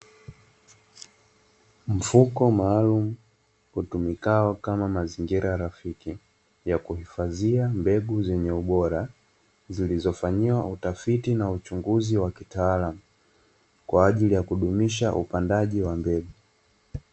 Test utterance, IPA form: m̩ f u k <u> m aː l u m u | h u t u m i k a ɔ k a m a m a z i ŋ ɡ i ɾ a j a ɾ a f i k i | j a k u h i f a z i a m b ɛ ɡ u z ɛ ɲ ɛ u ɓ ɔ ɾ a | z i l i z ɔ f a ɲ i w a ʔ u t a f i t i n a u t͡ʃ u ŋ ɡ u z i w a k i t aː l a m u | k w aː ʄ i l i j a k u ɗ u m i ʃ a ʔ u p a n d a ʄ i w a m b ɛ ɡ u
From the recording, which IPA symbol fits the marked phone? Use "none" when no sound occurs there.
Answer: ɔ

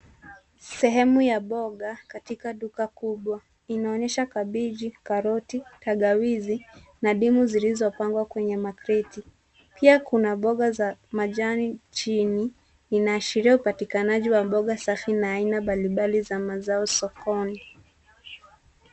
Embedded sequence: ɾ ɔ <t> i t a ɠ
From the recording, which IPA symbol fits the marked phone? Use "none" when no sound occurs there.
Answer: t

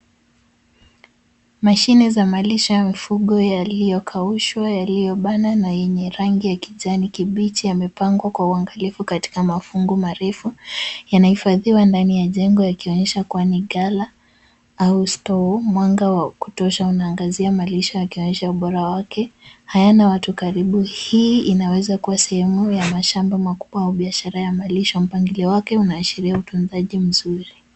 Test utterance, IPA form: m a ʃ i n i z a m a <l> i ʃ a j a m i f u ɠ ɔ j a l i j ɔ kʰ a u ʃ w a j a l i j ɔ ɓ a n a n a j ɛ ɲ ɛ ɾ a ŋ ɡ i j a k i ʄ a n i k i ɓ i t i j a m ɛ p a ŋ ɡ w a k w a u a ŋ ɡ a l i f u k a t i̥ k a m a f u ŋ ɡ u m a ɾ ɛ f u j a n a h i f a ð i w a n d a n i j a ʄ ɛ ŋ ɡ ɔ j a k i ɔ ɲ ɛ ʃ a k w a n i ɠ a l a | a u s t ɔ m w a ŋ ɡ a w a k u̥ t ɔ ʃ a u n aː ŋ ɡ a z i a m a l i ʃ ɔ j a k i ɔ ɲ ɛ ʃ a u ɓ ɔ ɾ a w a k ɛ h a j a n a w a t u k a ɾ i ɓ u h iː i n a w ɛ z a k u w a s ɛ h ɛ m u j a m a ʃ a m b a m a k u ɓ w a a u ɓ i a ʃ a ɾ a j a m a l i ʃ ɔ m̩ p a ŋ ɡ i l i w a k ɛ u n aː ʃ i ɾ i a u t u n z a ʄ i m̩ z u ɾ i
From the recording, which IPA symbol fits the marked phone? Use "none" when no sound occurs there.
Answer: l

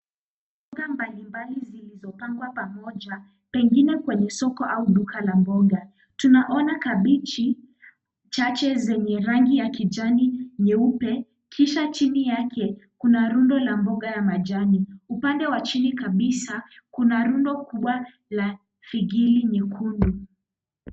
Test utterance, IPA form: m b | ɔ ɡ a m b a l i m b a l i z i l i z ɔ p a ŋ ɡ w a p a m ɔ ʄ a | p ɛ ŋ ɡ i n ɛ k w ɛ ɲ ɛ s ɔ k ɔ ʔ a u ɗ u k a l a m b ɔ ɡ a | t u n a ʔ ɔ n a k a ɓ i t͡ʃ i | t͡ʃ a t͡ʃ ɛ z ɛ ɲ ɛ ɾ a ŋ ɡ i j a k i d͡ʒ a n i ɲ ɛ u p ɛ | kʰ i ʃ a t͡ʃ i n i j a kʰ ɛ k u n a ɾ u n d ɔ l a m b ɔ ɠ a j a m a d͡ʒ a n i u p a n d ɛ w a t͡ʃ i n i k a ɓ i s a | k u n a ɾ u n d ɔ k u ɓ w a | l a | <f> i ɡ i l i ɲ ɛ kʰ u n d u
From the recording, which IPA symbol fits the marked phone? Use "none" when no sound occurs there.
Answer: f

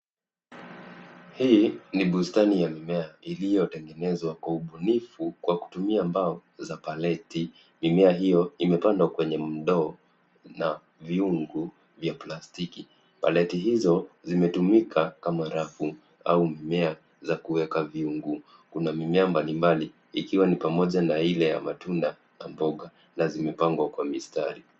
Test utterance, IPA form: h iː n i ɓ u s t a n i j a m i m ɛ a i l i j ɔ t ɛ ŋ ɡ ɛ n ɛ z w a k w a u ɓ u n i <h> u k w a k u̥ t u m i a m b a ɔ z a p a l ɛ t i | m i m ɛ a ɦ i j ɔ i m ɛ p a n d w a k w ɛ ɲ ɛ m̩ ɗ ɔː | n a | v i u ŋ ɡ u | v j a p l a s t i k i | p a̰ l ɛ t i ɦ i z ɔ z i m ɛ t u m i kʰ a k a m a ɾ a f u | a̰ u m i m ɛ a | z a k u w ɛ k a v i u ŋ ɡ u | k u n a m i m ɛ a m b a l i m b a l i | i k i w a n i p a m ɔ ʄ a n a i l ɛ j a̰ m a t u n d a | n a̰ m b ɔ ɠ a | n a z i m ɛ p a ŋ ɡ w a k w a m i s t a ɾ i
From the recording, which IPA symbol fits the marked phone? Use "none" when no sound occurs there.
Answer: f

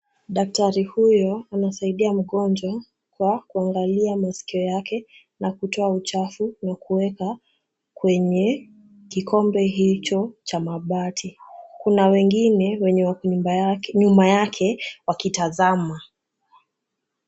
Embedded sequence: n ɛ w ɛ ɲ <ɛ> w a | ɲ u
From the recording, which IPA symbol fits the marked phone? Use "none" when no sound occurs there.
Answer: ɛ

